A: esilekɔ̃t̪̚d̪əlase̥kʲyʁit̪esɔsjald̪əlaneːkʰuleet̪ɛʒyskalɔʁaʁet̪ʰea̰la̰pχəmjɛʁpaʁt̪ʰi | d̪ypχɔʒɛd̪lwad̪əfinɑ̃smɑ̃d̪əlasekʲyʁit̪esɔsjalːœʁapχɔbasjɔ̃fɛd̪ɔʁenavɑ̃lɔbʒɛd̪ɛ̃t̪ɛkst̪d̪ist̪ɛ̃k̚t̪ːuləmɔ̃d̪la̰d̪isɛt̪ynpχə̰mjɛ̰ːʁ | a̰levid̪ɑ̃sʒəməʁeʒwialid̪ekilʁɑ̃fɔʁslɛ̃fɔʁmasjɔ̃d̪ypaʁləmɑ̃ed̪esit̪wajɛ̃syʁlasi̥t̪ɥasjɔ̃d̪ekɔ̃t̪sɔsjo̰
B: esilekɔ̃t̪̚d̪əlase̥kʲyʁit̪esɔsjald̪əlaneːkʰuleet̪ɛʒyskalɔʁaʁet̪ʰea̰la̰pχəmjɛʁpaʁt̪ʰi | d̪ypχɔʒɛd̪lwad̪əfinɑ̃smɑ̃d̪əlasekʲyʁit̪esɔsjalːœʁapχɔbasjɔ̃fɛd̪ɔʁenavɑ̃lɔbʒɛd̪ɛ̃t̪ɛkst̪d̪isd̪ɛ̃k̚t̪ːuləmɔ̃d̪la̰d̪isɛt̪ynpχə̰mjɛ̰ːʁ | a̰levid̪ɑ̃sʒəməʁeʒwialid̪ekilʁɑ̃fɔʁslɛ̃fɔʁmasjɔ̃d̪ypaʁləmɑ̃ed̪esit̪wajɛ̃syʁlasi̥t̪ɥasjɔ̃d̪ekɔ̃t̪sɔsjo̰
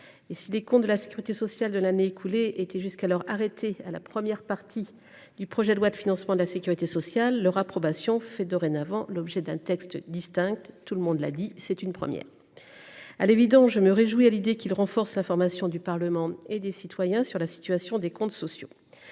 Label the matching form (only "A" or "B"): A